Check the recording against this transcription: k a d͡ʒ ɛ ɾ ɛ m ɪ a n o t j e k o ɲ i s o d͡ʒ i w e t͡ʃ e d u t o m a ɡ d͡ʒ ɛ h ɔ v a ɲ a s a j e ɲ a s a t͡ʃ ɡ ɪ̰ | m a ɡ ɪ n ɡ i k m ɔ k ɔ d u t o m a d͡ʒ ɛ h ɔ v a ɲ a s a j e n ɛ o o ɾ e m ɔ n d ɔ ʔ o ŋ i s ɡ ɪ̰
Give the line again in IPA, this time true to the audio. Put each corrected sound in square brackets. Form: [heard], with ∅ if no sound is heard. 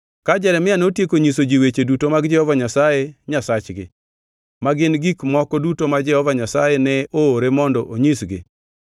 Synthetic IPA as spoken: k a d͡ʒ ɛ ɾ ɛ m ɪ a n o t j e k o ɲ i s o d͡ʒ i w e t͡ʃ e d u t o m a ɡ d͡ʒ ɛ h ɔ v a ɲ a s a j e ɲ a s a t͡ʃ ɡ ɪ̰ | m a ɡ ɪ n ɡ i k m ɔ k ɔ d u t o m a d͡ʒ ɛ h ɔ v a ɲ a s a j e n ɛ o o ɾ e m ɔ n d ɔ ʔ o [ɲ] i s ɡ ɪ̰